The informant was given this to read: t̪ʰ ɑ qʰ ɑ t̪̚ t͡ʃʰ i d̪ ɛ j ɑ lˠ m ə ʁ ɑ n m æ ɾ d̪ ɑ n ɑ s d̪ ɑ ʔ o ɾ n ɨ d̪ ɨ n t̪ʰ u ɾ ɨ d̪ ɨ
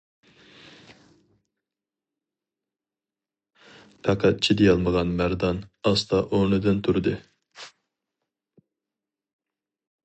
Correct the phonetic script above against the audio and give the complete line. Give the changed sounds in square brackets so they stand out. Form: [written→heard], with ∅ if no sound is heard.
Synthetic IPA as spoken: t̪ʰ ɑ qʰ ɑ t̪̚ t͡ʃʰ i d̪ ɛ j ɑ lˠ m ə ʁ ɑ n m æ ɾ d̪ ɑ n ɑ s [d̪→t̪] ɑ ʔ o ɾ n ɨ d̪ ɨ n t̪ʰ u ɾ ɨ d̪ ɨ